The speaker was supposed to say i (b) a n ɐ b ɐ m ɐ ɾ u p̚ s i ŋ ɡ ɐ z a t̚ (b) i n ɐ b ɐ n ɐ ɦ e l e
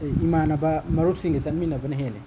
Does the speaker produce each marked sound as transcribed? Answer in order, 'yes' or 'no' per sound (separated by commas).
no, no